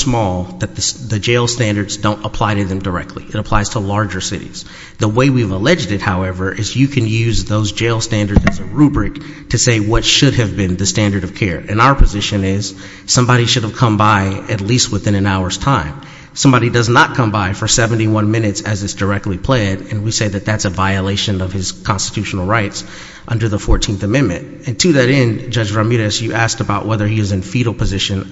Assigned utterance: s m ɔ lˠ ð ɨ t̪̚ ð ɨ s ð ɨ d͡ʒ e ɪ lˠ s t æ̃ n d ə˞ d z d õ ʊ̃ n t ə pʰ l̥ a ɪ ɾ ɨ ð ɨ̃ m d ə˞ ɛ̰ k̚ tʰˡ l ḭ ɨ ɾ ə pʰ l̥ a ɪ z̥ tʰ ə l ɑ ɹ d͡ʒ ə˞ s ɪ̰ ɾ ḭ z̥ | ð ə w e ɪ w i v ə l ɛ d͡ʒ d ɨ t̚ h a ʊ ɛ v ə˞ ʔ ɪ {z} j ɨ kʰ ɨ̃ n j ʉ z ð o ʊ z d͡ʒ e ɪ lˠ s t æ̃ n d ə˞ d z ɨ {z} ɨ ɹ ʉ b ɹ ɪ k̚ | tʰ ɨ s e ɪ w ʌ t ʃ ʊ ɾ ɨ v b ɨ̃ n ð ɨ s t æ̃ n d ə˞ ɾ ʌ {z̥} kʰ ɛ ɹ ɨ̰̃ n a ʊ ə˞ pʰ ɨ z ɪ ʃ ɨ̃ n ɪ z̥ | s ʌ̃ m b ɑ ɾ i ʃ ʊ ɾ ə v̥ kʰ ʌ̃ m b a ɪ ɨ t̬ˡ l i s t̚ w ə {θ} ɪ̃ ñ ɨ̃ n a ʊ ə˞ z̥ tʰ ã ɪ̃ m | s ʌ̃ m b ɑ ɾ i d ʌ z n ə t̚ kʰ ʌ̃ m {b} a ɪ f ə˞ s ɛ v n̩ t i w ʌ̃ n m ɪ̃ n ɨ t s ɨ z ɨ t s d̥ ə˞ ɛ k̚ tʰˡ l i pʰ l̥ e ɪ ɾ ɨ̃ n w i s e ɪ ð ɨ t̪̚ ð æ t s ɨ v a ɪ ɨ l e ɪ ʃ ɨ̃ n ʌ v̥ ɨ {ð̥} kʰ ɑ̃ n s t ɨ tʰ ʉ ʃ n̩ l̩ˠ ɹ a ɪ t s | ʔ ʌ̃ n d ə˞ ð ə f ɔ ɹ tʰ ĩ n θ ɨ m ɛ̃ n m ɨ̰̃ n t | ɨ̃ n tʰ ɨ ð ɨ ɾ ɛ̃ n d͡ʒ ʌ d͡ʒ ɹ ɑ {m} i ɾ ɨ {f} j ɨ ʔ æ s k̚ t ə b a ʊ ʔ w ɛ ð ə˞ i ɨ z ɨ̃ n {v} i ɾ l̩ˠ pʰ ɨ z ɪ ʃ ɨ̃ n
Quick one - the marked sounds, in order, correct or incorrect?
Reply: correct, correct, incorrect, correct, correct, incorrect, correct, incorrect, incorrect

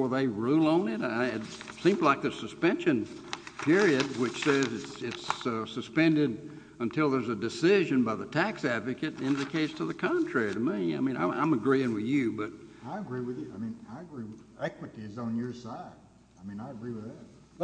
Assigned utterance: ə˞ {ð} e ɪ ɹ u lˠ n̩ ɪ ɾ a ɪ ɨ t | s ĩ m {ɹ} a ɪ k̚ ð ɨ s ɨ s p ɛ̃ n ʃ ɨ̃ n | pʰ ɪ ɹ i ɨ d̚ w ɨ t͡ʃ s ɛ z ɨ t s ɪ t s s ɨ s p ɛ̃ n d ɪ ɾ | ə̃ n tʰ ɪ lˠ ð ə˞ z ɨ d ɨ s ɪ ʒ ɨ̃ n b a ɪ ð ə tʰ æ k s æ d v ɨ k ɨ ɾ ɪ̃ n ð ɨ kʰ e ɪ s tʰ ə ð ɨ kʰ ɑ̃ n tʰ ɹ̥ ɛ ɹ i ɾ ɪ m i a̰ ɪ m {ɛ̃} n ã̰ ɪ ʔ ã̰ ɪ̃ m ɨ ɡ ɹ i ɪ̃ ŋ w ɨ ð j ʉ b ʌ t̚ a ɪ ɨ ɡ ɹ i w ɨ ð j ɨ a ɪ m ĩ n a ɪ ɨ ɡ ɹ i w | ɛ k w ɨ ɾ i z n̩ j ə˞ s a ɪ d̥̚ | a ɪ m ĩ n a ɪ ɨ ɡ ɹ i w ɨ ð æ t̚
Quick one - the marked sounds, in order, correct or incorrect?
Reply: correct, incorrect, incorrect

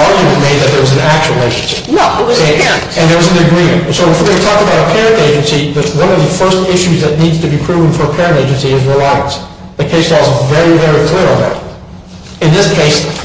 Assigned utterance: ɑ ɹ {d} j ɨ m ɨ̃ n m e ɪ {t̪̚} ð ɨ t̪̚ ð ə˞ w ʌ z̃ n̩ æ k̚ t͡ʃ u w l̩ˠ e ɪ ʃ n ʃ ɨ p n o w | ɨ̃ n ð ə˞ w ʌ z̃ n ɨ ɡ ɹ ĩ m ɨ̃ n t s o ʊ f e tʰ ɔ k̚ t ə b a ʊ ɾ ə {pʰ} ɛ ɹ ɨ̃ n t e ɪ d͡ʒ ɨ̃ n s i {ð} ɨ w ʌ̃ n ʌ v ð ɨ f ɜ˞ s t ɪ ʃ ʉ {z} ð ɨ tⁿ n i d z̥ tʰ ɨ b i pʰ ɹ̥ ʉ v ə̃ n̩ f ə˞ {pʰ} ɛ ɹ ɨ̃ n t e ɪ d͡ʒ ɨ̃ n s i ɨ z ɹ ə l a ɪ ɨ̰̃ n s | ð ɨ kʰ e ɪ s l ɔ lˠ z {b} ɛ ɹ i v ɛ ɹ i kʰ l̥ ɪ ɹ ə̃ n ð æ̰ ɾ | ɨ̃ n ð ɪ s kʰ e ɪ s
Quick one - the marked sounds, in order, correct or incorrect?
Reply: incorrect, incorrect, correct, correct, correct, correct, incorrect

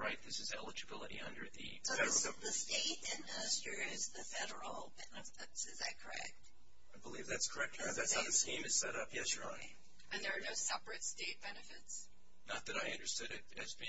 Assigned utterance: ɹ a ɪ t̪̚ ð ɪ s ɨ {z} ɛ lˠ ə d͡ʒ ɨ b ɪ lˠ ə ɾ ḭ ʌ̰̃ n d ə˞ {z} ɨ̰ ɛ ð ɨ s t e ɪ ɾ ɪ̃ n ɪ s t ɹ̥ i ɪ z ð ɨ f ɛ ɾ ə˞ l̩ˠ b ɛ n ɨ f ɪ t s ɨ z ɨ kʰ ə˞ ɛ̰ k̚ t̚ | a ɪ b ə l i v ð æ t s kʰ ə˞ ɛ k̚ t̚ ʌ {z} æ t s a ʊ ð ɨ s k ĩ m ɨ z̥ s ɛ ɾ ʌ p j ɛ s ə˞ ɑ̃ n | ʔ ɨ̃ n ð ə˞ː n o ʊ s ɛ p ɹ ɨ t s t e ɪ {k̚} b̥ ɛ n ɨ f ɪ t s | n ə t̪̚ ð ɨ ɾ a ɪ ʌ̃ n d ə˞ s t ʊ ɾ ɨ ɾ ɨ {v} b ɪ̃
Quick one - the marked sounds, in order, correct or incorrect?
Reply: correct, incorrect, incorrect, incorrect, incorrect

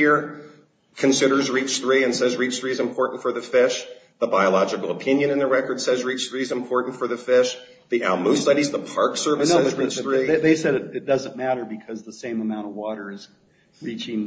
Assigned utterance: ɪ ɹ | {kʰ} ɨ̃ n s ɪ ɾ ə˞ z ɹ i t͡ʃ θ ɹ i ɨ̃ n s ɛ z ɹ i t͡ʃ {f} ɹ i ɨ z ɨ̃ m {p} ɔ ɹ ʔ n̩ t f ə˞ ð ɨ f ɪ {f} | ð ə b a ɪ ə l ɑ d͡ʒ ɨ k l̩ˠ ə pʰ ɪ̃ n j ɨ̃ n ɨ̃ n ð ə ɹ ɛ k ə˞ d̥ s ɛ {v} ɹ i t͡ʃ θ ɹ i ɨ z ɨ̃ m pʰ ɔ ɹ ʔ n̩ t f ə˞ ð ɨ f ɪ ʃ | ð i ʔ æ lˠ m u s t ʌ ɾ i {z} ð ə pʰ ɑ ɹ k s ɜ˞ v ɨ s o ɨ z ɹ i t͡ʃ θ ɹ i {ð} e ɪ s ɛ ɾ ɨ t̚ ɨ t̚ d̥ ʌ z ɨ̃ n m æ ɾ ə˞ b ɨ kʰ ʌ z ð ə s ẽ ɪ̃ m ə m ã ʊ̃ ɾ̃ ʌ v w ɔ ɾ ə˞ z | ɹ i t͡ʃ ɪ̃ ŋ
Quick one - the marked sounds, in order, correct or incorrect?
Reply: correct, incorrect, incorrect, incorrect, incorrect, correct, correct

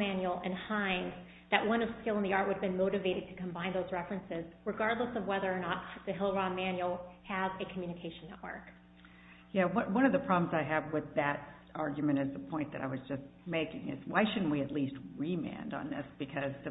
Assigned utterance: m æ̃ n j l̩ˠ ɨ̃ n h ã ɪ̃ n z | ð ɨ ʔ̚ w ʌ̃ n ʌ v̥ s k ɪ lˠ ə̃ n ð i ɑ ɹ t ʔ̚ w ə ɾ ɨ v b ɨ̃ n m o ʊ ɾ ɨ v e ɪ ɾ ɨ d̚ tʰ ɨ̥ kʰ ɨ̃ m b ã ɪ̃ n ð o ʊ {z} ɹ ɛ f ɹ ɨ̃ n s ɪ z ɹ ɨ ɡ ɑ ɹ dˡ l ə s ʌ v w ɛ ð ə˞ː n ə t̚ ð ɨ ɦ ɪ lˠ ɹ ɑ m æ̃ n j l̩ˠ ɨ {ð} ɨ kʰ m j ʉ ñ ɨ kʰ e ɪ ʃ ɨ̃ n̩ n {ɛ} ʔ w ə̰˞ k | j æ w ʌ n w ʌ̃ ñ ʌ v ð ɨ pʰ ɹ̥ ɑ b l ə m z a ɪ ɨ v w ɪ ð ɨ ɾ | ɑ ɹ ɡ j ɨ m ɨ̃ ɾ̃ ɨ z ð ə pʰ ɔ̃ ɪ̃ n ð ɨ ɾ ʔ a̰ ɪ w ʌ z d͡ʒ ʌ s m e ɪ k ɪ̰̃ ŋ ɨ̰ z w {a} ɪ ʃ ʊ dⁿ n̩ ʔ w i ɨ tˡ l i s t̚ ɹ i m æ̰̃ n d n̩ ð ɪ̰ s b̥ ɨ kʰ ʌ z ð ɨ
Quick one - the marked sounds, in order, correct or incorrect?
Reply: correct, incorrect, correct, correct

